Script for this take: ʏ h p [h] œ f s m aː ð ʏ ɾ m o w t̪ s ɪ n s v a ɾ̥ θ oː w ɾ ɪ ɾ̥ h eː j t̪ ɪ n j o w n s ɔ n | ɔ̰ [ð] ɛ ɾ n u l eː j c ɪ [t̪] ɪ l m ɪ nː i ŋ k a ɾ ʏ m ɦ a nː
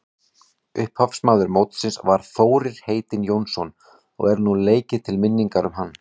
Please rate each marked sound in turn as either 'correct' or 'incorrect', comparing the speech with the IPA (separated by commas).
correct, incorrect, incorrect